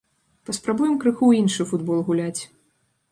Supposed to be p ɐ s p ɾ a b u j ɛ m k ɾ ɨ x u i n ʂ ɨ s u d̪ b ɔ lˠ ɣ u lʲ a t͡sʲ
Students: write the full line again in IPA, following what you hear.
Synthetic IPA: p ɐ s p ɾ a b u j ɛ m k ɾ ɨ x u i n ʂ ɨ f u d̪ b ɔ lˠ ɣ u lʲ a t͡sʲ